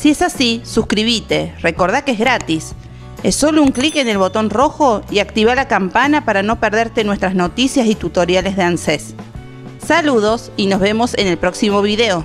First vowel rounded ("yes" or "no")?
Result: no